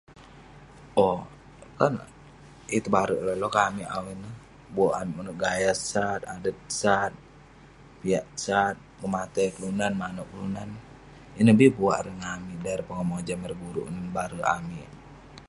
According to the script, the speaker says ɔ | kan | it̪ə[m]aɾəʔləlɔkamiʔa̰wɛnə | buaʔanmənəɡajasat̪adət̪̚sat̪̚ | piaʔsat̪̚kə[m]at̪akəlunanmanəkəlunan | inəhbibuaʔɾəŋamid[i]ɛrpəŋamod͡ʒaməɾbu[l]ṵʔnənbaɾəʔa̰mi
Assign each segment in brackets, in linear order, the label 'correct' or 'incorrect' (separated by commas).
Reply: incorrect, correct, incorrect, incorrect